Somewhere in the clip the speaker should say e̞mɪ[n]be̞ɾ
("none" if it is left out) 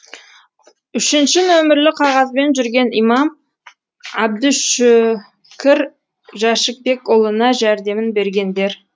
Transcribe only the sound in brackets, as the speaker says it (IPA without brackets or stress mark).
n